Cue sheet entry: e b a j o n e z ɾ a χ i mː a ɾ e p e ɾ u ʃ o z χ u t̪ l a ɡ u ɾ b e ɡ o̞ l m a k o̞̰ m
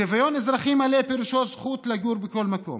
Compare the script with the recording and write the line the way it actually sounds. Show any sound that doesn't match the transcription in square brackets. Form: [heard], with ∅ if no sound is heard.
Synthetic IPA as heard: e [v] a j o n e z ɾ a χ i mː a [l] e p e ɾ u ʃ o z χ u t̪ l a ɡ u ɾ b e [k] o̞ l m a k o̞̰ m